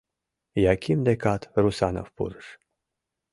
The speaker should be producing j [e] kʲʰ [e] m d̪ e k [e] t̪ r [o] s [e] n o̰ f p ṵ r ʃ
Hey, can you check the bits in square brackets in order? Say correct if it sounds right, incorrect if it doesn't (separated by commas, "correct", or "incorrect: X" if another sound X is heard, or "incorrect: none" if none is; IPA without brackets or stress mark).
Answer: incorrect: a, incorrect: i, incorrect: a, incorrect: u, incorrect: a